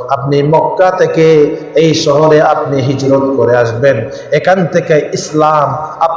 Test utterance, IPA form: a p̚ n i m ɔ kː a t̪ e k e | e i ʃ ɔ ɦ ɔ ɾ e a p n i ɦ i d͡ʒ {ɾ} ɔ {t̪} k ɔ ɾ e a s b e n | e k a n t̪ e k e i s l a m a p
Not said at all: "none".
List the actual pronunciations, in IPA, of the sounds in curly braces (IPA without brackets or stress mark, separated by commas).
ɾ, t̪